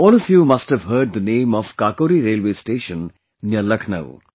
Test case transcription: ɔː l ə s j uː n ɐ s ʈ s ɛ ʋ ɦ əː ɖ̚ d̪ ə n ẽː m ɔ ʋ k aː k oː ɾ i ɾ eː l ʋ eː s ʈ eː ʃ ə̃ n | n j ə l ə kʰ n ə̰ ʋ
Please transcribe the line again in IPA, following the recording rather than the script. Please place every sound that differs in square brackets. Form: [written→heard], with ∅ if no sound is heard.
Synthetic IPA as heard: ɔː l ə [s→f] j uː [n→m] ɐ s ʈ [s→h] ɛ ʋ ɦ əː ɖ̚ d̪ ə n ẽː m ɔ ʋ k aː k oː ɾ i ɾ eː l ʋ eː s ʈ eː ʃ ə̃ n | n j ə l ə kʰ n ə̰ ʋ